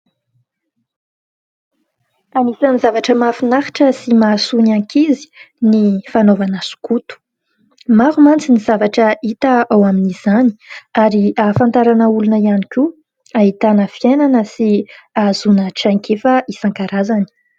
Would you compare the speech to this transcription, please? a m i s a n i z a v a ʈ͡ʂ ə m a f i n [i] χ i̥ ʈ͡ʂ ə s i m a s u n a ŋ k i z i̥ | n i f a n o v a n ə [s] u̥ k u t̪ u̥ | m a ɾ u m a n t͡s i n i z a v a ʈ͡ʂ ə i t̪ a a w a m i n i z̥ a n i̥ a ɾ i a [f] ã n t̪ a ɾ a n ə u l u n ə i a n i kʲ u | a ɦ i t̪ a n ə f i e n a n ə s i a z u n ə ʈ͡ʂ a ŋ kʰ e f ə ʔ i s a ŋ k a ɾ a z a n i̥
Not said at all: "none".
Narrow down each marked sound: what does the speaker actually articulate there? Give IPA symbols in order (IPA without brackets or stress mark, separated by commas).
a, s, f